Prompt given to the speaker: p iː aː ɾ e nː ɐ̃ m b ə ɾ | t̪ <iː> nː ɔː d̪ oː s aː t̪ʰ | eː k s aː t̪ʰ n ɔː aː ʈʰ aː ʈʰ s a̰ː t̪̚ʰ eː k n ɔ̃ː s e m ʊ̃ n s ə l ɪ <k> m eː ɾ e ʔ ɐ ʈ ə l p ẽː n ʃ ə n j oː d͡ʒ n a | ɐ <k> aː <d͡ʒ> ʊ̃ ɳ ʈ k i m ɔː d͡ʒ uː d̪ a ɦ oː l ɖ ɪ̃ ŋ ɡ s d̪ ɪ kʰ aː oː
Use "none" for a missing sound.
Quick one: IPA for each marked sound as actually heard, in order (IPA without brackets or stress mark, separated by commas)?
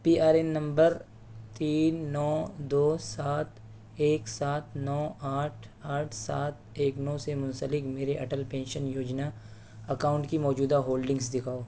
iː, k, k, none